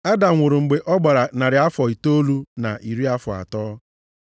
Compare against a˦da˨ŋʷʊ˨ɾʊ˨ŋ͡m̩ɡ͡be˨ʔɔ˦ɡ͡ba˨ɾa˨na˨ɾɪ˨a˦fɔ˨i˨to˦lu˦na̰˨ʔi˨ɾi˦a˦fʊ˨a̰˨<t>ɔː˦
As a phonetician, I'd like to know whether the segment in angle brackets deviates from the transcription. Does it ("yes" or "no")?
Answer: no